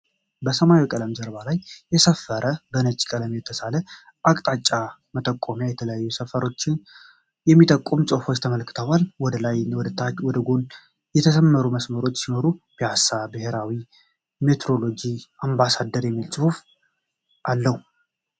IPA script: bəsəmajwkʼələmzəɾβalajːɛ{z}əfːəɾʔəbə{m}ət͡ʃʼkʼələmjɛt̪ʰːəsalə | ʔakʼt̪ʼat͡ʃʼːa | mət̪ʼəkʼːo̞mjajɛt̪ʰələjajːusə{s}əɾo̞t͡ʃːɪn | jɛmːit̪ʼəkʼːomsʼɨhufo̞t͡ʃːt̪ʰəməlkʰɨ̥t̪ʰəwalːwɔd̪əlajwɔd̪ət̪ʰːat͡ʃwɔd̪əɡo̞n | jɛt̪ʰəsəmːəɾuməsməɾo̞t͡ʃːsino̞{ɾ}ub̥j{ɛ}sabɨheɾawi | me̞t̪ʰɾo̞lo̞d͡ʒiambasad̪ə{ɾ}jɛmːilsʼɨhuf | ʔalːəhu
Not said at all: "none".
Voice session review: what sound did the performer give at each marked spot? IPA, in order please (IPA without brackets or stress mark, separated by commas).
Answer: s, n, f, ɾ, a, ɾ